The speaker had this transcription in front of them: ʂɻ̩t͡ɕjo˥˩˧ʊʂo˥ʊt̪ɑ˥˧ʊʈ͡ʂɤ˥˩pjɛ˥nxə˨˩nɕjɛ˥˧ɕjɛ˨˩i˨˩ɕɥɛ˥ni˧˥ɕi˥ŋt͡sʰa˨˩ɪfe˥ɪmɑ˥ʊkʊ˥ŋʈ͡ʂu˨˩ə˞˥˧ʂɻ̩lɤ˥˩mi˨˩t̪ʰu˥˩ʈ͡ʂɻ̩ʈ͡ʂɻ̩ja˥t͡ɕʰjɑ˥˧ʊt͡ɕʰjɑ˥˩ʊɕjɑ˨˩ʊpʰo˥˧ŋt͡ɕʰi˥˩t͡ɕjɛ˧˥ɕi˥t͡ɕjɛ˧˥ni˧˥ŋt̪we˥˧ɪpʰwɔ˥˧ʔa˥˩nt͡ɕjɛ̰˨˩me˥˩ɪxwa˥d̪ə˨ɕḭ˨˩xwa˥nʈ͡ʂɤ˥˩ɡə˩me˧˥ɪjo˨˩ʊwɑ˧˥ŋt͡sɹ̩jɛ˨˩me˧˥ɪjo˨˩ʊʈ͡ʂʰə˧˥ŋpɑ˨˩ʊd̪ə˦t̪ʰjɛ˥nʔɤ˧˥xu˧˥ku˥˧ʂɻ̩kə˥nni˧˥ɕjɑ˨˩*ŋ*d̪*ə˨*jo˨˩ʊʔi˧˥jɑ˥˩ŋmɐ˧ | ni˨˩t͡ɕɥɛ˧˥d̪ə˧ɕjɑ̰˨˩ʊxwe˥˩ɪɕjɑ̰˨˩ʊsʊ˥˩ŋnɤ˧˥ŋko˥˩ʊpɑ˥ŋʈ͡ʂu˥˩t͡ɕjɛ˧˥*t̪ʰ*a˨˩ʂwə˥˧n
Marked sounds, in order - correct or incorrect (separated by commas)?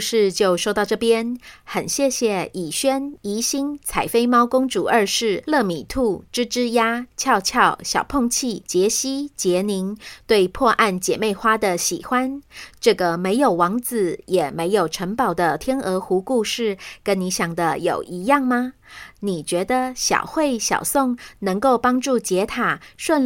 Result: correct, incorrect, correct